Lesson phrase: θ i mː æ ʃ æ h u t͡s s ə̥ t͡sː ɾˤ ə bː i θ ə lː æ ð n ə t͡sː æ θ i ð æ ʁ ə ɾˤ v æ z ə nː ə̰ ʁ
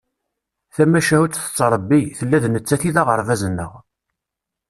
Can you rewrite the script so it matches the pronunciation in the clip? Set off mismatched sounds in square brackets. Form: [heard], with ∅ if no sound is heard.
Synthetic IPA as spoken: θ [æ] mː æ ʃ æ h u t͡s [θ] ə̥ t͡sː ɾˤ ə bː i θ ə lː æ ð n ə t͡sː æ θ i ð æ ʁ ə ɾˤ v æ z ə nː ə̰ ʁ